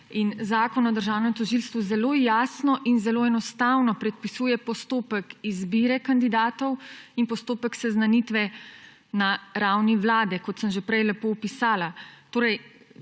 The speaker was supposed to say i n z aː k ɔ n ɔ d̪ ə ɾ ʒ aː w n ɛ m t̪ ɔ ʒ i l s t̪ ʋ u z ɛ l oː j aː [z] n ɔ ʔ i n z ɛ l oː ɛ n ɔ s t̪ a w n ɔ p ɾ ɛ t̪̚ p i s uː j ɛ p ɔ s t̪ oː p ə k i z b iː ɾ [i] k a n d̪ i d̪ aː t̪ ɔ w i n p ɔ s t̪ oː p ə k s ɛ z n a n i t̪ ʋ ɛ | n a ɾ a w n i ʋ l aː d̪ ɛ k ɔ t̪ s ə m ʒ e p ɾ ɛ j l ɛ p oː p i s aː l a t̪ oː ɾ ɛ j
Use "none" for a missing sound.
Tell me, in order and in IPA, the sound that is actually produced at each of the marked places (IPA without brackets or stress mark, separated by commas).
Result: s, ɛ